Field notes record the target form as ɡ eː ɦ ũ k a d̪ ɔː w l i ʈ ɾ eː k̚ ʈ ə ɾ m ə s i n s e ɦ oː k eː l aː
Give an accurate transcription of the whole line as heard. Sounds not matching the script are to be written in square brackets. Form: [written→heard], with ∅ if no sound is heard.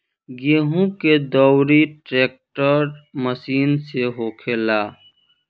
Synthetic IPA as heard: ɡ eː ɦ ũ k [a→e] d̪ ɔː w [l→ɾ] i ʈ ɾ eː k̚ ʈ ə ɾ m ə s [i→iː] n s e ɦ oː [k→kʰ] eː l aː